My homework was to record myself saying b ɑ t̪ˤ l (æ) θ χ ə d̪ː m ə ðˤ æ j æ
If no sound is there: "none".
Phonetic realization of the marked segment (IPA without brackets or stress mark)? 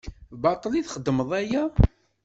i